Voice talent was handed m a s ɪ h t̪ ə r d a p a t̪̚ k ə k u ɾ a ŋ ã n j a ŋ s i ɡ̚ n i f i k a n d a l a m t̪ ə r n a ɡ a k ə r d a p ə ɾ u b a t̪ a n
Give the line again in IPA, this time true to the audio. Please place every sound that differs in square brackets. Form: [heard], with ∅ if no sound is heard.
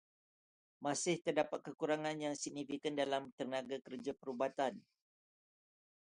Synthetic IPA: m a s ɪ h t̪ ə r d a p a t̪̚ k ə k u ɾ a ŋ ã n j a ŋ s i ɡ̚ n i f i k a n d a l a m t̪ ə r n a ɡ a k ə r [d͡ʒ] a p ə ɾ u b a t̪ a n